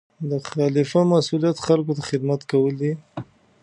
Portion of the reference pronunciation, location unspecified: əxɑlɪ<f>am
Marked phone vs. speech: correct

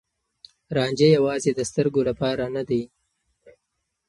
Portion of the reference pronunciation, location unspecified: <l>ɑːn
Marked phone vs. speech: incorrect: ɾ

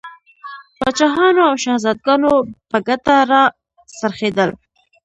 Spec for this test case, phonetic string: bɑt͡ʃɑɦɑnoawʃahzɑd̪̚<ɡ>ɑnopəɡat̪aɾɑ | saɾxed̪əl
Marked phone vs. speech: correct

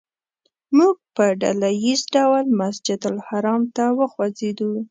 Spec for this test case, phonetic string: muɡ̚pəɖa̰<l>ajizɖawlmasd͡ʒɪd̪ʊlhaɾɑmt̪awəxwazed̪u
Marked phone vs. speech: correct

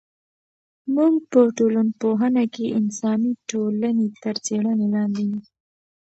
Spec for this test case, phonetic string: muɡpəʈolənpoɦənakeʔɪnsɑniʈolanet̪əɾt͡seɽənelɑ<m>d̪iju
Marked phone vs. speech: incorrect: n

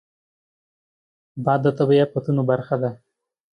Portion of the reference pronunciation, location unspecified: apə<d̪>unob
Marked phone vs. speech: incorrect: t̪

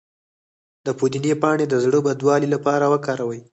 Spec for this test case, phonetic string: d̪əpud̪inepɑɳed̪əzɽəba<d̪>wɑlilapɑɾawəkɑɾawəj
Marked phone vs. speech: correct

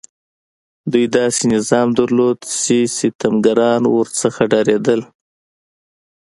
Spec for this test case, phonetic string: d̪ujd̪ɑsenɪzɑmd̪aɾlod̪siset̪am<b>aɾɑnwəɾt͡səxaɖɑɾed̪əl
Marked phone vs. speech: incorrect: ɡ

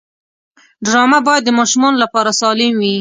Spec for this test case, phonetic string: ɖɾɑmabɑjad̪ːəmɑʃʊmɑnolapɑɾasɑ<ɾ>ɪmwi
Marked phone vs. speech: incorrect: l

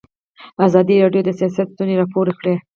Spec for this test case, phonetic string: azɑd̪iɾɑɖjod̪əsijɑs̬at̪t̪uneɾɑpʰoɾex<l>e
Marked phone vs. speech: incorrect: ɽ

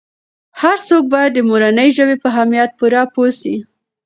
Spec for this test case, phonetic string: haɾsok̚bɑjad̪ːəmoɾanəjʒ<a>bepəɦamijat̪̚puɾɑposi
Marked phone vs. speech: incorrect: ə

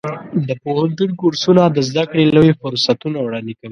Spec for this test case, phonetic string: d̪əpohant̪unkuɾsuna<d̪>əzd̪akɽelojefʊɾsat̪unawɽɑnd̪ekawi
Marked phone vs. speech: correct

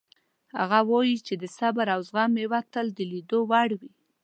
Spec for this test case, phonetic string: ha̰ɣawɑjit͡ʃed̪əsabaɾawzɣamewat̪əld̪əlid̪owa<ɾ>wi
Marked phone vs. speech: incorrect: ɽ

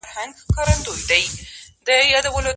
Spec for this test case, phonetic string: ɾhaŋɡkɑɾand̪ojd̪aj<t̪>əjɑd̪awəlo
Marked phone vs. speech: incorrect: d̪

